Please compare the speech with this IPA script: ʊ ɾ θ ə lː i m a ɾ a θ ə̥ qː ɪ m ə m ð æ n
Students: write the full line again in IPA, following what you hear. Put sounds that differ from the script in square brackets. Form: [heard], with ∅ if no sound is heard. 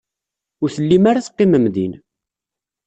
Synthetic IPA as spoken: ʊ ɾ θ ə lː i m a ɾ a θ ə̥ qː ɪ m ə m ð [i] n